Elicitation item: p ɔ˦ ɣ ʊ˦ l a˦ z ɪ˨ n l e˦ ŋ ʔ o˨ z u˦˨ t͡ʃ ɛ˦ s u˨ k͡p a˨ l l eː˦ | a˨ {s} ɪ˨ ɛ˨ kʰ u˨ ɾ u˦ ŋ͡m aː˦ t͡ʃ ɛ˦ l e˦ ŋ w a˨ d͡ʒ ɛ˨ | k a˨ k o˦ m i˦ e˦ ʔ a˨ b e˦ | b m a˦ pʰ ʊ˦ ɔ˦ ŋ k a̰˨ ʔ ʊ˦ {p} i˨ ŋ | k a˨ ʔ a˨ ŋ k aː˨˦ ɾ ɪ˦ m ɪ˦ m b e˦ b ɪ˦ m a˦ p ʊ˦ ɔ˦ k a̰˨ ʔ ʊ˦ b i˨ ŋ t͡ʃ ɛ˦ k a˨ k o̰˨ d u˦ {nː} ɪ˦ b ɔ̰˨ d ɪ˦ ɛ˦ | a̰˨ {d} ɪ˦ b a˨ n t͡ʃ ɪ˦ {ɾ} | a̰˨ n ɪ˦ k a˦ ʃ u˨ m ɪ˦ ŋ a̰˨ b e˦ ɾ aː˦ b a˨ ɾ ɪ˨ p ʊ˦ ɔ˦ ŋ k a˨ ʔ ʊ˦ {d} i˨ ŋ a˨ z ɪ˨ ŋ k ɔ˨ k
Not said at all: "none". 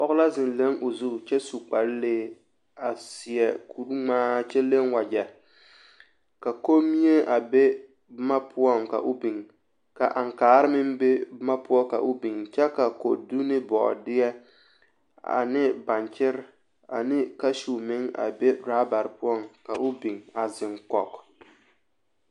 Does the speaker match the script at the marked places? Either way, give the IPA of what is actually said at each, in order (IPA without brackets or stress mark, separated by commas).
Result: s, b, n, n, ɾ, b